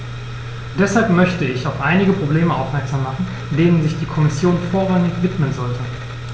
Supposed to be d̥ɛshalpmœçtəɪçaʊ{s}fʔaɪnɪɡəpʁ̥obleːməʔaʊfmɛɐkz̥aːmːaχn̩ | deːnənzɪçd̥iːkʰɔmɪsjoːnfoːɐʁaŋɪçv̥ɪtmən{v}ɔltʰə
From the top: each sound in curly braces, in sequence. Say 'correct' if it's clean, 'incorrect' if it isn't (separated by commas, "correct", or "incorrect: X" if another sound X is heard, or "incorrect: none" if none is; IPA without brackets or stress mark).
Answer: incorrect: none, incorrect: z